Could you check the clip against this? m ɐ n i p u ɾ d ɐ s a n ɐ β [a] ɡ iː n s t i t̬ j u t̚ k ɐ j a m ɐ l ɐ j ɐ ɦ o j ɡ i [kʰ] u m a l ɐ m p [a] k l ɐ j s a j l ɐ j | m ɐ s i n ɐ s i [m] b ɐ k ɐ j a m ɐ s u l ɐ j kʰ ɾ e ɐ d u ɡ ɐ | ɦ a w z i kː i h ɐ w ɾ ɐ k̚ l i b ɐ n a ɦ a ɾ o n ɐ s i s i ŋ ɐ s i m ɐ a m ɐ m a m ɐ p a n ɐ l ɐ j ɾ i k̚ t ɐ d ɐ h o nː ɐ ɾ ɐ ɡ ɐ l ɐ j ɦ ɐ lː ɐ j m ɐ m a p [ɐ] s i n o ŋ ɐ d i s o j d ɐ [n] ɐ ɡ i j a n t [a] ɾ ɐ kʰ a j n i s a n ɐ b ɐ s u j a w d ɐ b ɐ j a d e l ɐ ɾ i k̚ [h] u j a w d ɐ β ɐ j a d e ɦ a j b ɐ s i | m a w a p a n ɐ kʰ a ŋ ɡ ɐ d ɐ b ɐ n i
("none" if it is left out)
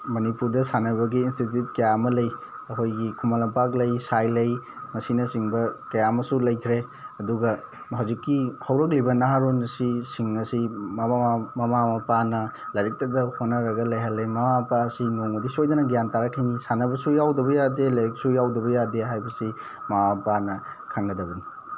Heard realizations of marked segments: ɐ, kʰ, a, ŋ, a, n, a, s

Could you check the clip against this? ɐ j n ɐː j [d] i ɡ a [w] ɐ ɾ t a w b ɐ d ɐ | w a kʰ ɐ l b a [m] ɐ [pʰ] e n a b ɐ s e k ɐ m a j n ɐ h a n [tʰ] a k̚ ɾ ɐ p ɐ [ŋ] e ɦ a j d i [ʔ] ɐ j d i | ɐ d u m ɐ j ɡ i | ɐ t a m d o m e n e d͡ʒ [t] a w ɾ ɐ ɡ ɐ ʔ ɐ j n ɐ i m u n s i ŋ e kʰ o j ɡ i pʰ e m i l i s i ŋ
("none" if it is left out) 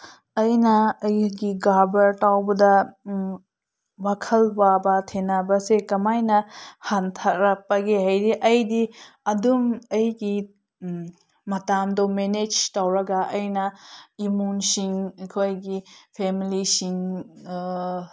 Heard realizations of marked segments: ɡ, b, b, tʰ, tʰ, ɡ, ʔ, t

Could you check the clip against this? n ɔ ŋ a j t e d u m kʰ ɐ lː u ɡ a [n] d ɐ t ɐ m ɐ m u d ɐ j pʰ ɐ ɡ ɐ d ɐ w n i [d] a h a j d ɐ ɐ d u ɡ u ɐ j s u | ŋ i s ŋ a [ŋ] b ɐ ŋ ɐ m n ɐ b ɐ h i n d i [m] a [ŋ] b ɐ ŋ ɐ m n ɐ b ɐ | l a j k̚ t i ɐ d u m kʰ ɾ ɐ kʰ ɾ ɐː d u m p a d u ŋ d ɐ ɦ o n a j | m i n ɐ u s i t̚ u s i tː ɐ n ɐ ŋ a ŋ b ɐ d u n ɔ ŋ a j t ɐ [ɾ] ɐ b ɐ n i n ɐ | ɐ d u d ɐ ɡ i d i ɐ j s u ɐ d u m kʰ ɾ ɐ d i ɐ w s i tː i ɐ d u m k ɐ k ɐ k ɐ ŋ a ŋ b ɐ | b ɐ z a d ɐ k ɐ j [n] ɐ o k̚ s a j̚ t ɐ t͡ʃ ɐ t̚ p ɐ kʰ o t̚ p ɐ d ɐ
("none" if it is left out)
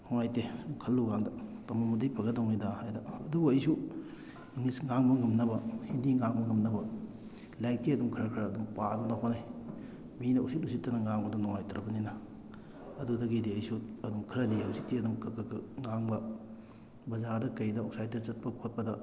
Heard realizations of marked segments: ŋ, d, ŋ, ŋ, ŋ, ɾ, d

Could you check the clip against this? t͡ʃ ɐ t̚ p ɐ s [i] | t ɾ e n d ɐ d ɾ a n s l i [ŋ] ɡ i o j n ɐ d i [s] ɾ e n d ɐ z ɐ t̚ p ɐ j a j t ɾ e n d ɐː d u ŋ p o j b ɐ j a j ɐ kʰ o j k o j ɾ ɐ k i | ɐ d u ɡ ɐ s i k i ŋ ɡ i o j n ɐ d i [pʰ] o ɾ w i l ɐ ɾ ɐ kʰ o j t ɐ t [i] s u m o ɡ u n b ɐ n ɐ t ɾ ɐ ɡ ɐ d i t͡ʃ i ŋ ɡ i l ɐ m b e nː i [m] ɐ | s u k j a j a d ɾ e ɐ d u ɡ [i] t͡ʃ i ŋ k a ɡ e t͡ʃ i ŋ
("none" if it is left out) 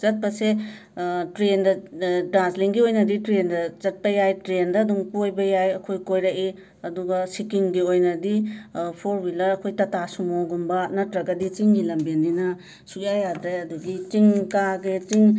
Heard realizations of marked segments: e, ŋ, t, pʰ, a, n, i

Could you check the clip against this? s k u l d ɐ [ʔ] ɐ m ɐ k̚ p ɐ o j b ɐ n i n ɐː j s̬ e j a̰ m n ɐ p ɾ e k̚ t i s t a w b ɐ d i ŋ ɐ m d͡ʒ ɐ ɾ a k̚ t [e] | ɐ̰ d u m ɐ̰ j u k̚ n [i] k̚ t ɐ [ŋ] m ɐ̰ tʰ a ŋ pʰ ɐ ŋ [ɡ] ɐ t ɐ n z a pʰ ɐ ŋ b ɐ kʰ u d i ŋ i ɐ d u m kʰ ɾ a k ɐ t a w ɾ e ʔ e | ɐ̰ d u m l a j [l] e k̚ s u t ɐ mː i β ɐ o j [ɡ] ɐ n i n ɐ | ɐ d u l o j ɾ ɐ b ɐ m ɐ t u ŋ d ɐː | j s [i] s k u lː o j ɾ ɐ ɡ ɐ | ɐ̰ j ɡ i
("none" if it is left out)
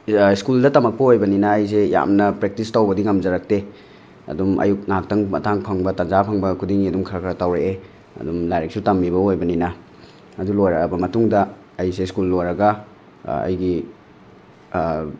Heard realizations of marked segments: t, e, a, ŋ, b, ɾ, b, e

